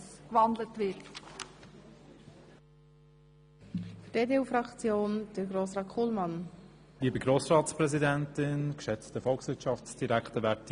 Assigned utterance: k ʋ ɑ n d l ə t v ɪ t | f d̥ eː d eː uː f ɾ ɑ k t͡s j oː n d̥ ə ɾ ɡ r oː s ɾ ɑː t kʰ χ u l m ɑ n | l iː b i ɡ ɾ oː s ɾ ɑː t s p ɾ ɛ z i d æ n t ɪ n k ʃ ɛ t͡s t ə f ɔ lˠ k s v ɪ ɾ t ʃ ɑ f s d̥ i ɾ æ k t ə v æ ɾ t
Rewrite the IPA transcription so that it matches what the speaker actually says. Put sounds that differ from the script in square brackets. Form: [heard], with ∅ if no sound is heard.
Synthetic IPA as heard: k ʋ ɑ n d l ə t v ɪ t | f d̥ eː d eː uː f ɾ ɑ k t͡s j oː n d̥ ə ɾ ɡ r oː s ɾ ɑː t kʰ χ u l m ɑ n | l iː b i ɡ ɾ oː s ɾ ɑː t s p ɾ ɛ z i d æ n t ɪ n k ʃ ɛ t͡s t ə f ɔ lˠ k s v ɪ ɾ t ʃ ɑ f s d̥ i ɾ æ k t ə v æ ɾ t